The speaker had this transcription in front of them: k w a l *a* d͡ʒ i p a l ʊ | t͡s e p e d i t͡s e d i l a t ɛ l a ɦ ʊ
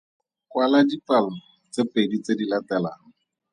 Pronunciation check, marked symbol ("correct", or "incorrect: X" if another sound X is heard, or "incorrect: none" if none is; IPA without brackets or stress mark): correct